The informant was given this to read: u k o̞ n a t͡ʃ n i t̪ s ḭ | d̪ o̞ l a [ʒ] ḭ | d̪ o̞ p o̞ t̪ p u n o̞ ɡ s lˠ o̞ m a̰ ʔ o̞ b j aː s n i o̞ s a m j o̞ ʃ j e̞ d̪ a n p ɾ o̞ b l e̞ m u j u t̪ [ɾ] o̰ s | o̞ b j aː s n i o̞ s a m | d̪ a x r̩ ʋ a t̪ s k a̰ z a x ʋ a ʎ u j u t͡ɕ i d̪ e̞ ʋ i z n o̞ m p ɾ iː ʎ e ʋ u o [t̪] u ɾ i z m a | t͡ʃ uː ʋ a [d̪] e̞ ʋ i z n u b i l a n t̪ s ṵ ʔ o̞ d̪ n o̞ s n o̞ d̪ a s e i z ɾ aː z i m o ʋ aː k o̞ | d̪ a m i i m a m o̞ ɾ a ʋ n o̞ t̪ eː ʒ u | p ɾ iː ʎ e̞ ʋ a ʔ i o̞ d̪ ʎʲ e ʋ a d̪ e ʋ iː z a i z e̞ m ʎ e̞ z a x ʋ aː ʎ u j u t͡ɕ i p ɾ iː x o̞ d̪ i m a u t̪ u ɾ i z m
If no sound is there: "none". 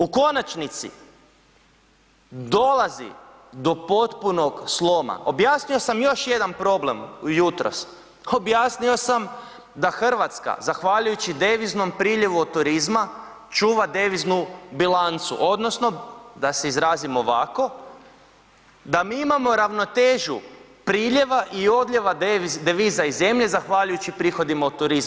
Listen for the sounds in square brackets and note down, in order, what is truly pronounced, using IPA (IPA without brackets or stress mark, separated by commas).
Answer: z, ɾ, t̪, d̪